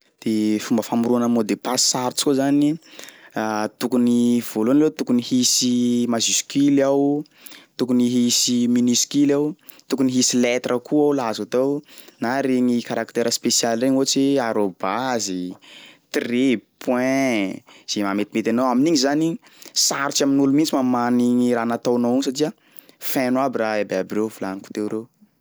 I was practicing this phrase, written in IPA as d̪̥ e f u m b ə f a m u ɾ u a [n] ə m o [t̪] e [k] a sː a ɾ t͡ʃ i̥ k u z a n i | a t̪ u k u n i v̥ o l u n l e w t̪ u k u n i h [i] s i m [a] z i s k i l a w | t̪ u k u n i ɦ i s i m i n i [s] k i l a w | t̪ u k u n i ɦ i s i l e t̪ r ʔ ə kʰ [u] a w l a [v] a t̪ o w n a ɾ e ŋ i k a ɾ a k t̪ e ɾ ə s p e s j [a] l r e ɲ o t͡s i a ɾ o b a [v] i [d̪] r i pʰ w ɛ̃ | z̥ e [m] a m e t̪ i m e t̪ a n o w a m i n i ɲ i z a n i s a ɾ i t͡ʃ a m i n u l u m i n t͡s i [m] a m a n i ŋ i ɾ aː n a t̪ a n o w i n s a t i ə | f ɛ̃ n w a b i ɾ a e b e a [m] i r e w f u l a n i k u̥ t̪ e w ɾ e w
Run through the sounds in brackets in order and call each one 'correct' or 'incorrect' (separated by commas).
correct, incorrect, incorrect, correct, correct, correct, correct, incorrect, correct, incorrect, incorrect, correct, correct, incorrect